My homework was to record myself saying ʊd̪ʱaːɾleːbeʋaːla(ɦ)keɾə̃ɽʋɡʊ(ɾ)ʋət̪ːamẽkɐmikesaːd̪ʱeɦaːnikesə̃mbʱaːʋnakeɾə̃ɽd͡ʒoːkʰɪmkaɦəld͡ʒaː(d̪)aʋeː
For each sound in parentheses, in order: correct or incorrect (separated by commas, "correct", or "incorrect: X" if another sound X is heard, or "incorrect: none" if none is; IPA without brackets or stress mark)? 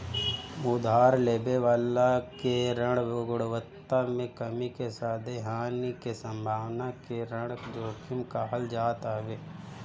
incorrect: none, incorrect: ɽ, incorrect: t̪